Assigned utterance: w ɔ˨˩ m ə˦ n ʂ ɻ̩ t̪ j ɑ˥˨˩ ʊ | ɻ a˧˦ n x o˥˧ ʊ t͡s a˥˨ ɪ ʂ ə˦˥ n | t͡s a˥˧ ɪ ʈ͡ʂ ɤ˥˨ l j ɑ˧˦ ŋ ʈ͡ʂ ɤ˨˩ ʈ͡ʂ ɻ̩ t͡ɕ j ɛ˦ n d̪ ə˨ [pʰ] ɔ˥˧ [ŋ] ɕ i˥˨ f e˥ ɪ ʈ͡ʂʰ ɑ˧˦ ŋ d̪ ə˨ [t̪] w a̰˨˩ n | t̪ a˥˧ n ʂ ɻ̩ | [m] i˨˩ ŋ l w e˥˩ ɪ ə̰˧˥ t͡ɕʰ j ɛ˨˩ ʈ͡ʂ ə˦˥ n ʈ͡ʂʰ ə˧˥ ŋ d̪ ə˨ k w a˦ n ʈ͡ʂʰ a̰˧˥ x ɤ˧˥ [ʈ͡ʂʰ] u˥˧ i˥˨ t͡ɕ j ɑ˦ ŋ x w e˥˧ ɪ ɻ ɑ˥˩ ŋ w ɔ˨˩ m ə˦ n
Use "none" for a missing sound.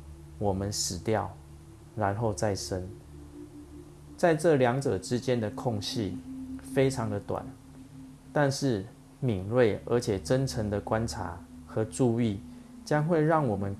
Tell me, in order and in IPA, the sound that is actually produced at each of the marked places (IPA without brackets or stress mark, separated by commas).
kʰ, ŋ, t̪, m, ʈ͡ʂ